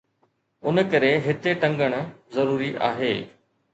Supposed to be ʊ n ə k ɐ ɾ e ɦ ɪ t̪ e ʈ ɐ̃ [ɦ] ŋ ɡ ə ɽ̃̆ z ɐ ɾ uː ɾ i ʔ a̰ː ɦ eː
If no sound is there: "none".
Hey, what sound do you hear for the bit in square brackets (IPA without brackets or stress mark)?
none